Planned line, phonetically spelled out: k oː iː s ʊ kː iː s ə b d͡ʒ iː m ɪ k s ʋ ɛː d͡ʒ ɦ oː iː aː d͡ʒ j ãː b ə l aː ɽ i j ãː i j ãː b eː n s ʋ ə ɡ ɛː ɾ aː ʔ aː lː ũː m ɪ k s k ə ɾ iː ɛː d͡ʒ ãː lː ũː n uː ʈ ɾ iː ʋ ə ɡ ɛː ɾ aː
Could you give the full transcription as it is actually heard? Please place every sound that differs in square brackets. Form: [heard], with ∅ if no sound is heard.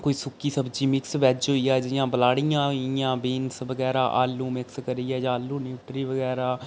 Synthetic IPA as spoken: k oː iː s ʊ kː iː s ə b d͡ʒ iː m ɪ k s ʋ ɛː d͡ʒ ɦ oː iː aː d͡ʒ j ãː b ə l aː ɽ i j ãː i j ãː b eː n s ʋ ə ɡ ɛː ɾ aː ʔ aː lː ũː m ɪ k s k ə ɾ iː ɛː d͡ʒ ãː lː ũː n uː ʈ ɾ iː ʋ ə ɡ ɛː ɾ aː